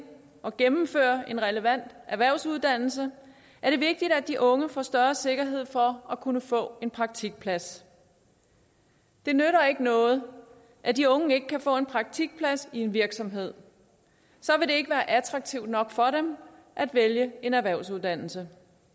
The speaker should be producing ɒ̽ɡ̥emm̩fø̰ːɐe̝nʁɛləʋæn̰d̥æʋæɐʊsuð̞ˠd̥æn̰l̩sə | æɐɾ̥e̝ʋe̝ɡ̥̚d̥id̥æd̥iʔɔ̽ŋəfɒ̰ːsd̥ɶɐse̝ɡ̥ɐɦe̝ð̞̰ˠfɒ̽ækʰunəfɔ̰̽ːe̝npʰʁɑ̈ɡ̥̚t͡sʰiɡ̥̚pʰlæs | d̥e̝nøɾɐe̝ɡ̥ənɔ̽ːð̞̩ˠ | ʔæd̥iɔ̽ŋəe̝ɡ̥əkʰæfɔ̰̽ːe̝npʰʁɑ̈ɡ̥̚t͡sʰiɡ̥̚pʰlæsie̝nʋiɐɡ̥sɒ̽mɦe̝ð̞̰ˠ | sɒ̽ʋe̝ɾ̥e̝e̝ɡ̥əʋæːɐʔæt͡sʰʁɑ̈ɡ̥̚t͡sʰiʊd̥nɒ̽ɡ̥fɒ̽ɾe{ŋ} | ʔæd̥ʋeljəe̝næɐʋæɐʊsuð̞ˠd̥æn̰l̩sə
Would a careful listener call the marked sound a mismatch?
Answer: yes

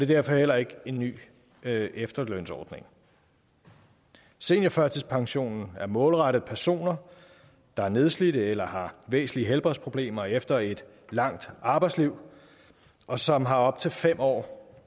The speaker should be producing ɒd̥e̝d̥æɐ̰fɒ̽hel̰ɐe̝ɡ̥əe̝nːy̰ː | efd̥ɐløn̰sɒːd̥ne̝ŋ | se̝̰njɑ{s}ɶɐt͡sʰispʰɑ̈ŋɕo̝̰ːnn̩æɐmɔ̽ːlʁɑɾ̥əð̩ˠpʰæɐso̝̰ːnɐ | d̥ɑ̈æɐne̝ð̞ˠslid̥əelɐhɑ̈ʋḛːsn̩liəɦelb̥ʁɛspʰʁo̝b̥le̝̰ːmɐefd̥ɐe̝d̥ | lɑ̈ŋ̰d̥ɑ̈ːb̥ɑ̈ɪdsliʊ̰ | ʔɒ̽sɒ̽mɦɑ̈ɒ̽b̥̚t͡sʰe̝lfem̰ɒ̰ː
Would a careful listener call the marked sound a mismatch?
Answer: yes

